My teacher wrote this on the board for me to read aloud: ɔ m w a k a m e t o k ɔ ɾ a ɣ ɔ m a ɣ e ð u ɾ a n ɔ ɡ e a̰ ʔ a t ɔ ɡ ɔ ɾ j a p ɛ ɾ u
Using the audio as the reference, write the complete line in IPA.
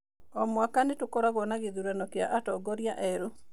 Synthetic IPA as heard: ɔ m w a k a n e t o k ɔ ɾ a ɣ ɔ n a ɣ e ð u ɾ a n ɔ k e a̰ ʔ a t ɔ ɡ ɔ ɾ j a ʔ ɛ ɾ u